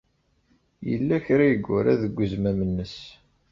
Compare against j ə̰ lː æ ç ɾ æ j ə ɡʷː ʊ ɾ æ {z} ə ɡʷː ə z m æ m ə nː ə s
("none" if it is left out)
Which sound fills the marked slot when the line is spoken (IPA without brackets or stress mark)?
ð